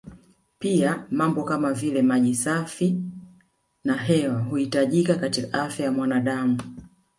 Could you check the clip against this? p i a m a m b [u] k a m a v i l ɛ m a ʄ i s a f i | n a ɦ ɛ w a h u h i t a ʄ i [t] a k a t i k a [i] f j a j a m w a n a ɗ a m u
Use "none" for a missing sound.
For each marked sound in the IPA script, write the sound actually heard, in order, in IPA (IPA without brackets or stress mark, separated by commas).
ɔ, k, a